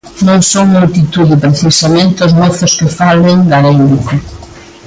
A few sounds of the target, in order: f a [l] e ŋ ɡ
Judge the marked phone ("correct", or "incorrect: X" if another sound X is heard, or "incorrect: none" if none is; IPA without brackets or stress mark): correct